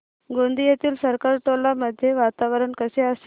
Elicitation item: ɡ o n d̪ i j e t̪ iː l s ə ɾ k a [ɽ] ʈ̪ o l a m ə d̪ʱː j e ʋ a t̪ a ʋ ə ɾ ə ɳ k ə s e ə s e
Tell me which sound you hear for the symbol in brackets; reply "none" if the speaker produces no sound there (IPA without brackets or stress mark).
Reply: ɾ